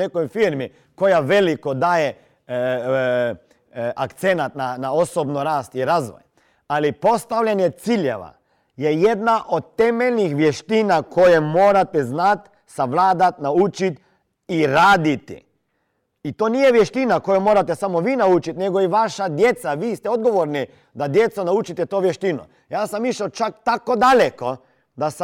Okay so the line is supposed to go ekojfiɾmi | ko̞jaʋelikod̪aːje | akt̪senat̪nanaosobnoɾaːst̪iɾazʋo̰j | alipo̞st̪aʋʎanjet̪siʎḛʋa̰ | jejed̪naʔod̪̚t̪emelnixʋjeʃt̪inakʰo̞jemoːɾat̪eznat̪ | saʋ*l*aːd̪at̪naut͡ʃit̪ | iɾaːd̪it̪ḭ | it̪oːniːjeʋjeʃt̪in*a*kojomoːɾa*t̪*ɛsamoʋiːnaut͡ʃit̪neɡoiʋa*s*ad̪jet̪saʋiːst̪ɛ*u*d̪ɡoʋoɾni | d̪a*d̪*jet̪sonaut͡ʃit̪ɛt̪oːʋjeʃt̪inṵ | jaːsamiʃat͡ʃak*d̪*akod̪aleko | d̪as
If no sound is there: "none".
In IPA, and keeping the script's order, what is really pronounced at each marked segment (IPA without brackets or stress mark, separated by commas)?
l, a, t̪, ʃ, o, d̪, t̪